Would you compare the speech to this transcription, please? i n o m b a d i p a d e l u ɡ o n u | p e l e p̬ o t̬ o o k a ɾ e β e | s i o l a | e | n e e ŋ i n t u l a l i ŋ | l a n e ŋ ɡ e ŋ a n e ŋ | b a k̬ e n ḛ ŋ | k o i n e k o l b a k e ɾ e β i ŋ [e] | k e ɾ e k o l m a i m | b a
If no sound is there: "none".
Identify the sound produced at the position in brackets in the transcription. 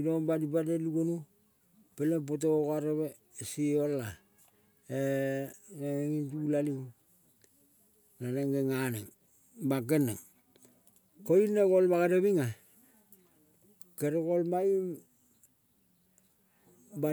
a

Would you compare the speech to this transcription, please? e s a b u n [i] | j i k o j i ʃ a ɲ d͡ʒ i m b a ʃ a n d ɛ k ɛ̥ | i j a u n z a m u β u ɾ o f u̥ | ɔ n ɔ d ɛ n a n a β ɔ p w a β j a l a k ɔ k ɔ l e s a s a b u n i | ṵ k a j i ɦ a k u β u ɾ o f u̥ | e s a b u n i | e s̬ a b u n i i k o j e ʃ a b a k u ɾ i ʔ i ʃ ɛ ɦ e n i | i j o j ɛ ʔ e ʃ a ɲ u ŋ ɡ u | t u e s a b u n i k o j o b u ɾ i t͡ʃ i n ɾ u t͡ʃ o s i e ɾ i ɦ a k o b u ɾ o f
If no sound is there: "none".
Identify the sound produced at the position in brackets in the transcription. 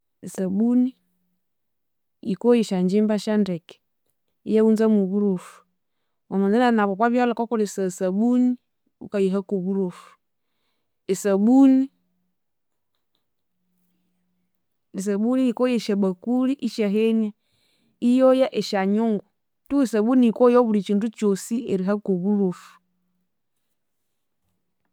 i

